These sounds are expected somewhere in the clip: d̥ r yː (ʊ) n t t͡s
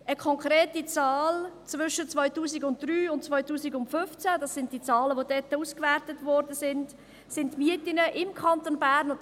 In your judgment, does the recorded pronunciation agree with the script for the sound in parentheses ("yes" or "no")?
yes